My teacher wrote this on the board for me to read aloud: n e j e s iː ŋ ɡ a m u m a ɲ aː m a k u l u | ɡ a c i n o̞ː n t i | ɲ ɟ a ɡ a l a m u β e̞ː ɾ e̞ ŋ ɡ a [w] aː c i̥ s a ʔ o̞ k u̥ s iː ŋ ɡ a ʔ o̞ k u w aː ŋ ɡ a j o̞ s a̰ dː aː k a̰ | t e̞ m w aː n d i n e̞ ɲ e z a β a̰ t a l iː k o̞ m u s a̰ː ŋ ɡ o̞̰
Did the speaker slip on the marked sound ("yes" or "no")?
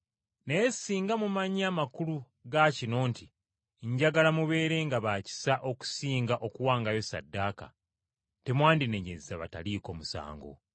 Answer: yes